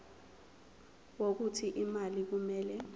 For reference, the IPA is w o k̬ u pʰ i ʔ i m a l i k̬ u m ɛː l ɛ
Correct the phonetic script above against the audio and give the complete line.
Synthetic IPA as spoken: w o k̬ u tʰ i ʔ i m a l i k̬ u m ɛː l ɛ